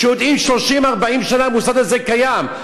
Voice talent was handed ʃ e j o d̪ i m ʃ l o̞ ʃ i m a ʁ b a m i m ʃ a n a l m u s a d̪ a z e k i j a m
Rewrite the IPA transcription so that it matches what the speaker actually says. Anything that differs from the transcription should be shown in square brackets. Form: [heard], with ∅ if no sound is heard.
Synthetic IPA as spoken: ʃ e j o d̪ i m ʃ l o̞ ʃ i m a ʁ b a [∅] i m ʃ a n a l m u s a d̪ a z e k [a] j a m